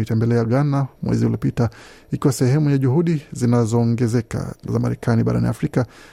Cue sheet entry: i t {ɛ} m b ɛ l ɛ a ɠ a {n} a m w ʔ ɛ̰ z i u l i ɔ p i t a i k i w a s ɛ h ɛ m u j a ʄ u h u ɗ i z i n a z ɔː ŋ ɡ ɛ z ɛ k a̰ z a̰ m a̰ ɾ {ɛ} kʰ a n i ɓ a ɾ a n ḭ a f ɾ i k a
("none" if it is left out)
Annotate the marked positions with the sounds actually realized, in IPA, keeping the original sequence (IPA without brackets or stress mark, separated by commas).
ɛ, n, ɛ